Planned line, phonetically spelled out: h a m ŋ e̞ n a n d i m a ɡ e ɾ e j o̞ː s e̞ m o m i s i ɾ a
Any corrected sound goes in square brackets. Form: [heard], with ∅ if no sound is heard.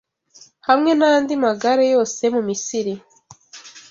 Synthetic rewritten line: h a m ŋ e̞ n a n d i m a ɡ [a] ɾ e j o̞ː s e̞ m [u] m i s i ɾ [i]